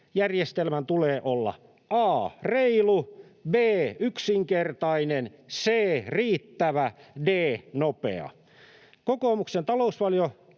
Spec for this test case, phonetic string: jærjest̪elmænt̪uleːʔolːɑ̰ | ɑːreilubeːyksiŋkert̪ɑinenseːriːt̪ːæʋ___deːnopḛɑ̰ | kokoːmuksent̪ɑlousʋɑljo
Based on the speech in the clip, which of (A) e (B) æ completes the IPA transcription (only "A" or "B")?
B